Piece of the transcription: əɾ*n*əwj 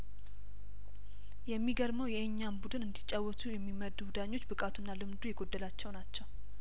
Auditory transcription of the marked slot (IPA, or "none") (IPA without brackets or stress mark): m